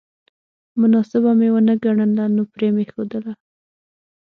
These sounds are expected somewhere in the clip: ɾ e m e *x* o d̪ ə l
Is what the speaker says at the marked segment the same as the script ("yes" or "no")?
yes